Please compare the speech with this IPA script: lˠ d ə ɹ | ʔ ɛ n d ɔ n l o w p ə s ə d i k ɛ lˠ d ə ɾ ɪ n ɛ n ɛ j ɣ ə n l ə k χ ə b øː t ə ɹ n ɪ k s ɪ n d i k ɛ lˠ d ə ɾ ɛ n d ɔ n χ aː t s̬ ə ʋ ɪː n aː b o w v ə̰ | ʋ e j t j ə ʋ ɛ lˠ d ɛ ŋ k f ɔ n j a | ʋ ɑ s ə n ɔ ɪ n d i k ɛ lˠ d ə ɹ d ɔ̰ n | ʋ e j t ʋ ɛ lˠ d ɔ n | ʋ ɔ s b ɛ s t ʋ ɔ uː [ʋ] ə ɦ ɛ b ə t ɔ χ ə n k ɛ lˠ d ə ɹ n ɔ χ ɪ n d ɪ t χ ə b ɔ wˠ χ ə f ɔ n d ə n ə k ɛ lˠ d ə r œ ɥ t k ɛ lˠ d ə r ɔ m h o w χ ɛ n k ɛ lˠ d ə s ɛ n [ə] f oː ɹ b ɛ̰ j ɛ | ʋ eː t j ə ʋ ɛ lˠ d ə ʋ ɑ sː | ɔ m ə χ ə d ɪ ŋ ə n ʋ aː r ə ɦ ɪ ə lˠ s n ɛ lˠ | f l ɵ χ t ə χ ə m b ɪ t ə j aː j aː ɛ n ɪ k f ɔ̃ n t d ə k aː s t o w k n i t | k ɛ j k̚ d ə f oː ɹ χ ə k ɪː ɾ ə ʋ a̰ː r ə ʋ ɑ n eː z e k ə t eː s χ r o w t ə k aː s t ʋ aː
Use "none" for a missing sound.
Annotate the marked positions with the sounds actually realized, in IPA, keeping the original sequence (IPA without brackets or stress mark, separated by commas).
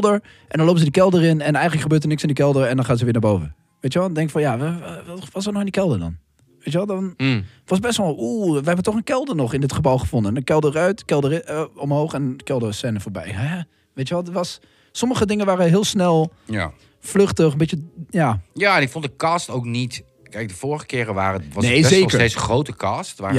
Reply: ʋ, ə